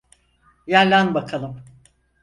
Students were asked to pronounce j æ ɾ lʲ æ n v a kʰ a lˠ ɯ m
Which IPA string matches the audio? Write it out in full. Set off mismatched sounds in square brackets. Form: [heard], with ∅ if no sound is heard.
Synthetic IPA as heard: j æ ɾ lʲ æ n [b] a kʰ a lˠ ɯ m